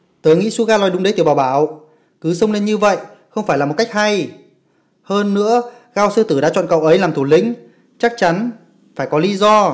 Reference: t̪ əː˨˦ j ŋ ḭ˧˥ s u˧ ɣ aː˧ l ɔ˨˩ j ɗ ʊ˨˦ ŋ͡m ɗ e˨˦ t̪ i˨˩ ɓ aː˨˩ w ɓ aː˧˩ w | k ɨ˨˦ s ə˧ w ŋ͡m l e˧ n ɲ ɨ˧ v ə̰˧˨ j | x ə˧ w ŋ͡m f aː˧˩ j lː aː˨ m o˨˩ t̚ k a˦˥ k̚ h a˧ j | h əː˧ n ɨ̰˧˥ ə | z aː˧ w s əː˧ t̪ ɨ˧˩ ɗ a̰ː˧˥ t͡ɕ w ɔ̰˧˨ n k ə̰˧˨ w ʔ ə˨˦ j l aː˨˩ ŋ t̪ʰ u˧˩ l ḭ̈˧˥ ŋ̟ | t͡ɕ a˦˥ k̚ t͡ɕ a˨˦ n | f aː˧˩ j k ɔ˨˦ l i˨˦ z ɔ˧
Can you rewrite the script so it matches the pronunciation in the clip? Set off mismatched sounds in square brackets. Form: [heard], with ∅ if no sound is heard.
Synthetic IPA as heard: t̪ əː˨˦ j ŋ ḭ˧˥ s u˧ ɣ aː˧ l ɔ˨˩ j ɗ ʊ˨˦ ŋ͡m ɗ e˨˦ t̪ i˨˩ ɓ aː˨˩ w ɓ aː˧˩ w | k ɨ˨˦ s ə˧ w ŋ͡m l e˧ n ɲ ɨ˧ v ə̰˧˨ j | x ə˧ w ŋ͡m f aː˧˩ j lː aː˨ m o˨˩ t̚ k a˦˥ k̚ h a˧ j | h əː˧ [nː] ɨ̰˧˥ ə | [ɣ] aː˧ w s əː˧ t̪ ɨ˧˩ ɗ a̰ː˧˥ t͡ɕ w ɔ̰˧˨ n k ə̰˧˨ w ʔ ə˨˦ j l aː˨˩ [m] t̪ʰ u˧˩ l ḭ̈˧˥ ŋ̟ | t͡ɕ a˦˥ k̚ t͡ɕ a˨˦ n | f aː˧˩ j k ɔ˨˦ l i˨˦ z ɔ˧